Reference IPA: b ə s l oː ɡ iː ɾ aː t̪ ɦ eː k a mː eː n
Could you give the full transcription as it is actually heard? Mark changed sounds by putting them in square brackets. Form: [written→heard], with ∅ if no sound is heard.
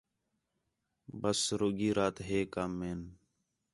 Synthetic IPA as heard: b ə s [l→ɾ] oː ɡ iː ɾ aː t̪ ɦ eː k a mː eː n